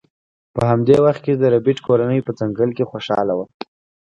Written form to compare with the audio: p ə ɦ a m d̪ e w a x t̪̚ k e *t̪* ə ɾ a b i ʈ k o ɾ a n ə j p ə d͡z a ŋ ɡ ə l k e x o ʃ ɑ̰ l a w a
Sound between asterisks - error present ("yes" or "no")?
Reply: yes